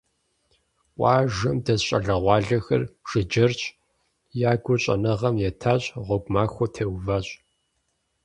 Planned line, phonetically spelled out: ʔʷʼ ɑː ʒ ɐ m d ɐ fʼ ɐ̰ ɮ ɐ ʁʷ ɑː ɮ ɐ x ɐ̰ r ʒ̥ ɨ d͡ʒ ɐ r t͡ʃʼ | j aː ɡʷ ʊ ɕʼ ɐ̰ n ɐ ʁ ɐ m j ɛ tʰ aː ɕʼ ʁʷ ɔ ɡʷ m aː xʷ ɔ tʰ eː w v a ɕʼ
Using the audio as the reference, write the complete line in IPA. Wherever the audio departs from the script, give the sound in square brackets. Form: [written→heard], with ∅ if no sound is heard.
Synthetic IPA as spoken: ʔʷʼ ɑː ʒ ɐ m d ɐ [fʼ→ɕʼ] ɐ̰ ɮ ɐ ʁʷ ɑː ɮ ɐ x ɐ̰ r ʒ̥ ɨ d͡ʒ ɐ r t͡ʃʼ | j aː ɡʷ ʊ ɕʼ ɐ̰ n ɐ ʁ ɐ m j ɛ tʰ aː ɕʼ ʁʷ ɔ ɡʷ m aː xʷ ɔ tʰ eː w v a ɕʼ